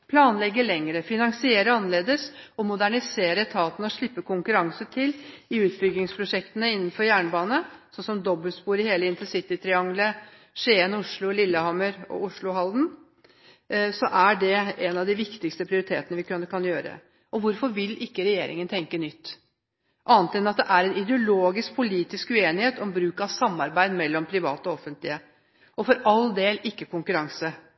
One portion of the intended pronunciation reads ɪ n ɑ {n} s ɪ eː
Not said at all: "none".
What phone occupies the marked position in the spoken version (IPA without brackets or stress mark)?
ŋ